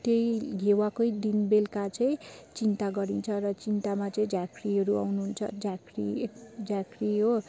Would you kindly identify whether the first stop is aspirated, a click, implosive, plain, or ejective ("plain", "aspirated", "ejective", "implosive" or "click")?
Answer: plain